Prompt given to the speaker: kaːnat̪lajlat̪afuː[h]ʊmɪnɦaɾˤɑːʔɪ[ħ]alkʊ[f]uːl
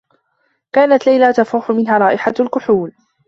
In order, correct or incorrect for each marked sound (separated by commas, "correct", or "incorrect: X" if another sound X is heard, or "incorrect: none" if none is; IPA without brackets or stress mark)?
incorrect: ħ, correct, incorrect: ħ